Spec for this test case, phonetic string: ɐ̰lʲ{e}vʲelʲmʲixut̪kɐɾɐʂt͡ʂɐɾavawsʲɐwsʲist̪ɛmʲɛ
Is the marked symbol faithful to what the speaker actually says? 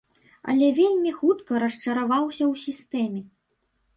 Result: no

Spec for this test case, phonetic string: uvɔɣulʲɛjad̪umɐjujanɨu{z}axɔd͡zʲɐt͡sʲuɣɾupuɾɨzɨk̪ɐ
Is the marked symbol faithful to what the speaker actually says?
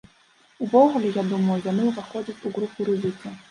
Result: no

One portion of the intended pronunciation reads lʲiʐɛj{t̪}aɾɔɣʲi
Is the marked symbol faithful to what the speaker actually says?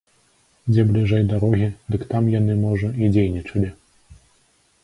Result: no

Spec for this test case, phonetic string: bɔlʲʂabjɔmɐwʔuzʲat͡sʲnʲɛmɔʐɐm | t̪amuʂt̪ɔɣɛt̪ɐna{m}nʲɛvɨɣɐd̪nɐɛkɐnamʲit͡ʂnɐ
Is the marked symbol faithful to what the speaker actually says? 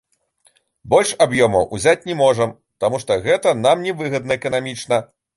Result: yes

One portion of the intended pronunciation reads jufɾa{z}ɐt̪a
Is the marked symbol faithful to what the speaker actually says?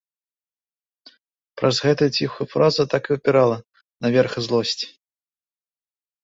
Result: yes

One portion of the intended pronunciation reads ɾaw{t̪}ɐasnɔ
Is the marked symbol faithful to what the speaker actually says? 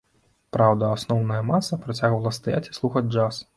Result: no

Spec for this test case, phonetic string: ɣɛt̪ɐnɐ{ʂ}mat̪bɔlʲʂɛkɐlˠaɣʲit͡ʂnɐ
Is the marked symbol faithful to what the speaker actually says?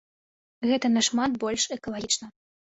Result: yes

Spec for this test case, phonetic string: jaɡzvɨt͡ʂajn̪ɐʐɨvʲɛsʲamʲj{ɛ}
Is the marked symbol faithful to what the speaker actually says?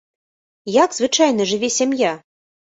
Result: no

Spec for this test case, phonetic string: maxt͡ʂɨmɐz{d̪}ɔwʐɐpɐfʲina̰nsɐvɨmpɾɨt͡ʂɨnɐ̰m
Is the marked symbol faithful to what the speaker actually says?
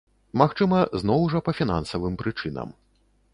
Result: no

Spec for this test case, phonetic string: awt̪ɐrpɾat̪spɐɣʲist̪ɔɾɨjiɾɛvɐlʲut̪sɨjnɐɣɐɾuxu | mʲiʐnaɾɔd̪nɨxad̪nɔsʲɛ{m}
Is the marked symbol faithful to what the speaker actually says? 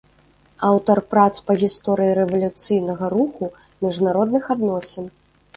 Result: no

